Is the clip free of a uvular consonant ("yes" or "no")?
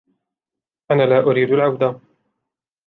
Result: yes